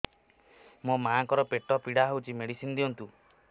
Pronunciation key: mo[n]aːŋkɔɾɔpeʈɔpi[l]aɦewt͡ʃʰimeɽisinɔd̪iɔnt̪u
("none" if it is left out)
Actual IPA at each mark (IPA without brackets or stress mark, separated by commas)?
m, ɽ